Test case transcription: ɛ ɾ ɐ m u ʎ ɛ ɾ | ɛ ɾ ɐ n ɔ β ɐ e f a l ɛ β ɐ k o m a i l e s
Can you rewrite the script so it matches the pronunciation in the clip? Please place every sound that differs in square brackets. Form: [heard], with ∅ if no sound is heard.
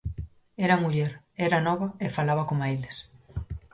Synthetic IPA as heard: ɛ ɾ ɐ m u ʎ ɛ ɾ | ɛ ɾ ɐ n ɔ β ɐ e f a l [a] β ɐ k o m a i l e s